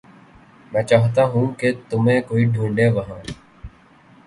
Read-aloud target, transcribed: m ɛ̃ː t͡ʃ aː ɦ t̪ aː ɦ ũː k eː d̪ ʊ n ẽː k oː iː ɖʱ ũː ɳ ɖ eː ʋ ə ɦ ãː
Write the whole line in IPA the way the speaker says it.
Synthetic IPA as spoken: m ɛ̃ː t͡ʃ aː ɦ t̪ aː ɦ ũː k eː t̪ ʊ m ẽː k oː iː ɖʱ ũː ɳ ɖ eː ʋ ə ɦ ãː